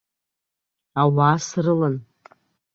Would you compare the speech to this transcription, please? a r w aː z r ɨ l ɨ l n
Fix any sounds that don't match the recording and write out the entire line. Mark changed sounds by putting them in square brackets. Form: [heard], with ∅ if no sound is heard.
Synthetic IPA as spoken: a [∅] w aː [s] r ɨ l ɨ [∅] n